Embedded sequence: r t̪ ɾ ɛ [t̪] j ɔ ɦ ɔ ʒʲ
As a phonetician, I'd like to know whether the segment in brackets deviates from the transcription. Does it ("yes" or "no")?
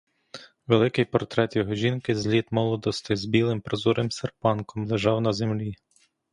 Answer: no